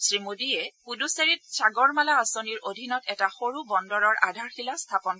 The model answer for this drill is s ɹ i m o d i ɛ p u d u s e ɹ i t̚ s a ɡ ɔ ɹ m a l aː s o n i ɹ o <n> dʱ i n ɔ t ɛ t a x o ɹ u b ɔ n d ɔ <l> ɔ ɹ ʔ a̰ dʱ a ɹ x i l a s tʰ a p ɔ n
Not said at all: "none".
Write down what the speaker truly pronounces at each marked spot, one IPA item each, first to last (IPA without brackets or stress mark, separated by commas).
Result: none, ɹ